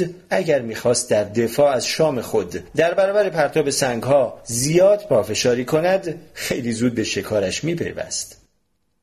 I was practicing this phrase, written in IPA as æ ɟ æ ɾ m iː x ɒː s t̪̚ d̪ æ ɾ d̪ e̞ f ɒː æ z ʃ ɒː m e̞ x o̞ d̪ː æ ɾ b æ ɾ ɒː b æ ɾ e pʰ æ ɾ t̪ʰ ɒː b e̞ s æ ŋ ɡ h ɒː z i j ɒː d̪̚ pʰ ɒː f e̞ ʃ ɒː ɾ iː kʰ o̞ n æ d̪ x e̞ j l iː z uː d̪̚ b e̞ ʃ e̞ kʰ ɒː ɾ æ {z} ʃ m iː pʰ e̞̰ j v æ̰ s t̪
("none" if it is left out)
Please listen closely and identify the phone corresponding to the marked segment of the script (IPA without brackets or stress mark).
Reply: none